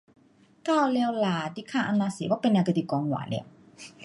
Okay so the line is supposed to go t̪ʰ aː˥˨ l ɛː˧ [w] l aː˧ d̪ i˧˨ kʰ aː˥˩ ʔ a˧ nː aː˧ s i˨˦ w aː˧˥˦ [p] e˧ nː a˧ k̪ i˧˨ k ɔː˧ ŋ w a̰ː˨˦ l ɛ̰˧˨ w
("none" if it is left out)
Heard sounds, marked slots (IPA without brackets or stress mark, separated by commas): w, p